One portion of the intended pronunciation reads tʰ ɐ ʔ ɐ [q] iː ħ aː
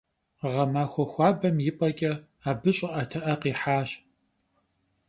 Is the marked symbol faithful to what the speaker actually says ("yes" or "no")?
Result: yes